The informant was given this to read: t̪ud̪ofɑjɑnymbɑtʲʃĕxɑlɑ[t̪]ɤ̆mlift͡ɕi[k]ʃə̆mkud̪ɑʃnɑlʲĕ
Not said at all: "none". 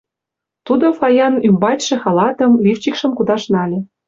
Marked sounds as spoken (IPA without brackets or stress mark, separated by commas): t̪, k